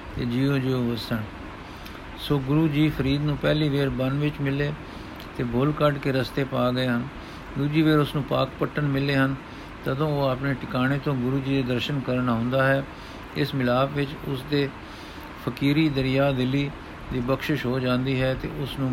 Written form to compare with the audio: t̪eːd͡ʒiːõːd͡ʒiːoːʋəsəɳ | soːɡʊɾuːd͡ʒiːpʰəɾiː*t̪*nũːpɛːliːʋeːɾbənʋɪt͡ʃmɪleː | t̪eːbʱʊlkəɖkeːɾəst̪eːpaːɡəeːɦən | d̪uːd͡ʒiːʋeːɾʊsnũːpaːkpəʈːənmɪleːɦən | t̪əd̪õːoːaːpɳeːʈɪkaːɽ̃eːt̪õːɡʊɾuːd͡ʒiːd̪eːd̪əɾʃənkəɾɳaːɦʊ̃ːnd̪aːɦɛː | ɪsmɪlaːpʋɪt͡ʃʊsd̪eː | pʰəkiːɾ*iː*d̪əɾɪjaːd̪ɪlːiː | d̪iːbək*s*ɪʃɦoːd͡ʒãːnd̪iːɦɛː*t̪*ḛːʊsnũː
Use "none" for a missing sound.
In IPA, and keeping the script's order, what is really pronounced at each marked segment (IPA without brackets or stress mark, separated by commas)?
d̪, iː, ʃ, t̪